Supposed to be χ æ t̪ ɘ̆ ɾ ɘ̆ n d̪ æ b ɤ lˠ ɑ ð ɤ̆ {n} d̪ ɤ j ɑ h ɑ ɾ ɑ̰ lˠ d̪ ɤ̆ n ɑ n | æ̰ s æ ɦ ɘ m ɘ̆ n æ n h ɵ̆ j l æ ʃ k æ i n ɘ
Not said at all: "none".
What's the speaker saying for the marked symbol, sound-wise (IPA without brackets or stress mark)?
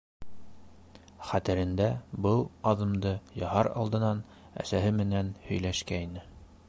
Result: m